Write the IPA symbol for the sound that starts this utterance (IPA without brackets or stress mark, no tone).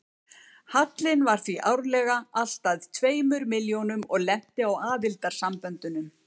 h